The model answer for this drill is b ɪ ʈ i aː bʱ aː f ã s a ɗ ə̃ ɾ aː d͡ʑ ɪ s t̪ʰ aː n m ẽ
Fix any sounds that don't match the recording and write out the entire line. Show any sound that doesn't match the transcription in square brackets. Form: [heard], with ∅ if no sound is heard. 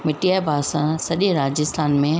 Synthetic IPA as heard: [m] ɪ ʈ i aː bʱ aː [s] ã s [ɐ] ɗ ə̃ ɾ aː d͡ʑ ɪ s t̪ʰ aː n m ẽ